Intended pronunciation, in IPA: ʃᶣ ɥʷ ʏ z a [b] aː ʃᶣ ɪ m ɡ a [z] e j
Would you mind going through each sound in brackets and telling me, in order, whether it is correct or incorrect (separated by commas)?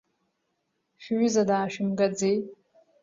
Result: incorrect, incorrect